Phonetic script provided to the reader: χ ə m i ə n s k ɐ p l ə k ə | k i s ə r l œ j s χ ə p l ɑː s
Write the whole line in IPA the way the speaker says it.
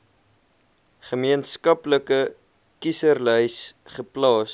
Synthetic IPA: χ ə m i ə n s k ɐ p l ə k ə | k i s ə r l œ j s χ ə p l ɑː s